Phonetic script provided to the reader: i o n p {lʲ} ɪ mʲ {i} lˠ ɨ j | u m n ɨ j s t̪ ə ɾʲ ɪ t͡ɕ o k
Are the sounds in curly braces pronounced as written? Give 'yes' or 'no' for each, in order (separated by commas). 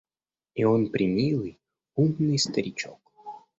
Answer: no, yes